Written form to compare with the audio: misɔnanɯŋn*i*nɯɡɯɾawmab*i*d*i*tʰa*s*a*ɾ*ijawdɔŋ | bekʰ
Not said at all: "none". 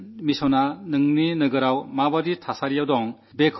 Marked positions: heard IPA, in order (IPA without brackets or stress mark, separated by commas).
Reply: i, a, i, s, ɾ